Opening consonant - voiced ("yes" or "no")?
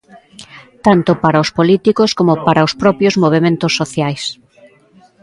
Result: no